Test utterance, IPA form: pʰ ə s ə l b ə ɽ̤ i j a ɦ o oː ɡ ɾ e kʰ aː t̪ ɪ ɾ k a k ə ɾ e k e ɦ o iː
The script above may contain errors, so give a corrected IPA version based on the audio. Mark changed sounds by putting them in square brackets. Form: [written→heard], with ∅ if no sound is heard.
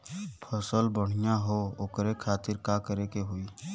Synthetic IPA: pʰ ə s ə l b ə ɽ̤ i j a ɦ o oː [ɡ→k] ɾ e kʰ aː t̪ ɪ ɾ k a k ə ɾ e k e ɦ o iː